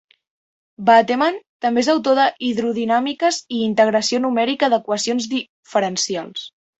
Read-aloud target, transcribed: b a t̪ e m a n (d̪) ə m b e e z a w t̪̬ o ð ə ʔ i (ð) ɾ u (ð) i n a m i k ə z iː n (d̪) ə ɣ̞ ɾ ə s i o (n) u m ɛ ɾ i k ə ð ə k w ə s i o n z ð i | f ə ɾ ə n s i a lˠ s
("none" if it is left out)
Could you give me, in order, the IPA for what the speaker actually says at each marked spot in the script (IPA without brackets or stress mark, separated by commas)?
t̪, ð, ð, t̪, n